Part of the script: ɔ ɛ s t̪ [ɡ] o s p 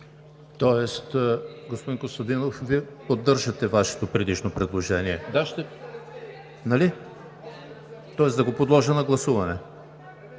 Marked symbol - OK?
yes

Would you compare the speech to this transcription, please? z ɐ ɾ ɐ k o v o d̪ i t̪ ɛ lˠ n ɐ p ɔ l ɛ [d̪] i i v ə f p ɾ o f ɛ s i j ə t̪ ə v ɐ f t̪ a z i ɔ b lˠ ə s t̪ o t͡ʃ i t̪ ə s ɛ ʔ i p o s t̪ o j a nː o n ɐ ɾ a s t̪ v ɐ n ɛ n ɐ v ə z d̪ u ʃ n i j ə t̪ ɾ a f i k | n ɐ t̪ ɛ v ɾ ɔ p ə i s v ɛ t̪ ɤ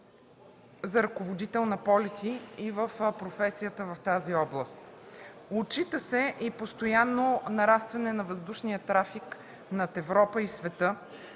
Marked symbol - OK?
no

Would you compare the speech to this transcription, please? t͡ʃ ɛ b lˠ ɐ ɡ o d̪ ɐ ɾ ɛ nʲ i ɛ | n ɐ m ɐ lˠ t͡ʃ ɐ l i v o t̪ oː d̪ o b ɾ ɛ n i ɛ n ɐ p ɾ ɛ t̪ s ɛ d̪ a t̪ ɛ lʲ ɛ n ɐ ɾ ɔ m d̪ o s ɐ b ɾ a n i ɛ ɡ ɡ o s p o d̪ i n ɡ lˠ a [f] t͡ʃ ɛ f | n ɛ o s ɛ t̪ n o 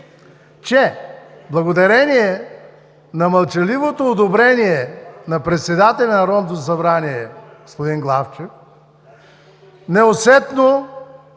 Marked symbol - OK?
yes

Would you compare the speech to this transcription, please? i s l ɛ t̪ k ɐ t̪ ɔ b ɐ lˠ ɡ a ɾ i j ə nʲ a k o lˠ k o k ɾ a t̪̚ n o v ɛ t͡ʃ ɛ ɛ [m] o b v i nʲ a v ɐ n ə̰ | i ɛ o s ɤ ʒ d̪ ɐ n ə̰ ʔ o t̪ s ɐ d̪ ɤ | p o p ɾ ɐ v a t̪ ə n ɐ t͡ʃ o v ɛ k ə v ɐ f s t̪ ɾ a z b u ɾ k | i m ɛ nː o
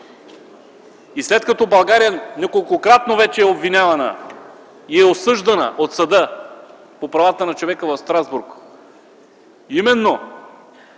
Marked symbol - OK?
no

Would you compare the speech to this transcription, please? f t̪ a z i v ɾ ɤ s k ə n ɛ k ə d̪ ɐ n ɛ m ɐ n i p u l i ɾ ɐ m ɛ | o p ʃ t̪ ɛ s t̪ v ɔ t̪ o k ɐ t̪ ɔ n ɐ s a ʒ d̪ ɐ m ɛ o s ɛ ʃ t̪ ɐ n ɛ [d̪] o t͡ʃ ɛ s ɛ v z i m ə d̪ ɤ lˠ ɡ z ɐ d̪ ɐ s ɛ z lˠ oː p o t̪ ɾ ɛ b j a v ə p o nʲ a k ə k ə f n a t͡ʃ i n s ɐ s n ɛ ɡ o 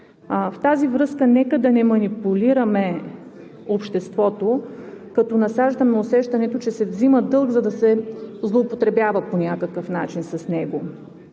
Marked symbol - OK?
no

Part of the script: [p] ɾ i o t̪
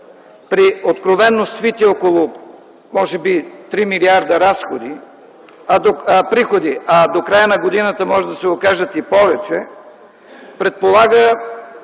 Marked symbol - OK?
yes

